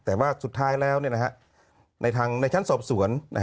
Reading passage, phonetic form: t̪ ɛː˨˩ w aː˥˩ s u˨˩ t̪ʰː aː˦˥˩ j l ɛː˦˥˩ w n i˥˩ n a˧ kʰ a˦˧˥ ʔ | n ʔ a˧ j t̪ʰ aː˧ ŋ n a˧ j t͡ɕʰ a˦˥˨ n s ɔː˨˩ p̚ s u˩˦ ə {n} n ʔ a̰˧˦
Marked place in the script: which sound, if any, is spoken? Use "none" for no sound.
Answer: n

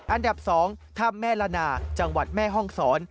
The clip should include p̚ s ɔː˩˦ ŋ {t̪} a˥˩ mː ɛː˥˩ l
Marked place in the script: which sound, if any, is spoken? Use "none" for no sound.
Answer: t̪ʰ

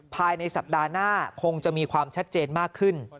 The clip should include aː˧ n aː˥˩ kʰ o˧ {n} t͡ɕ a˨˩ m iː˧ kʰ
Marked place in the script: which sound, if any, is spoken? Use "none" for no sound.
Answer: ŋ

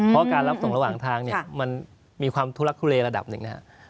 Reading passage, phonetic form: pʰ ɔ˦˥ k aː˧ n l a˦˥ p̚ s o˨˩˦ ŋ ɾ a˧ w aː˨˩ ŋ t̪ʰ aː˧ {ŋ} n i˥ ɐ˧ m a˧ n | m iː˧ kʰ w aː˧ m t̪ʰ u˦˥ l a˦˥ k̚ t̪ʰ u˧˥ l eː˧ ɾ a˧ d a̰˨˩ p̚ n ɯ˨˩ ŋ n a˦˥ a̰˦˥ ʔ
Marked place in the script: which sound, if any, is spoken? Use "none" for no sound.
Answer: ŋ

